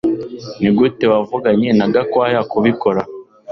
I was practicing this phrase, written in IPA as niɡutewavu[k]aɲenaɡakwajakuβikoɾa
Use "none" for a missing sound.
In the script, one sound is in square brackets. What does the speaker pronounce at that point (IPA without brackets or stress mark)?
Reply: ɡ